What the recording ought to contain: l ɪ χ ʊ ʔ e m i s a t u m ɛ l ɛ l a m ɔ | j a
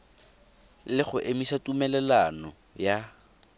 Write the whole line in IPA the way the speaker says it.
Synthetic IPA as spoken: l ɪ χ ʊ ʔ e m i s a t u m ɛ l ɛ l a n ɔ | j a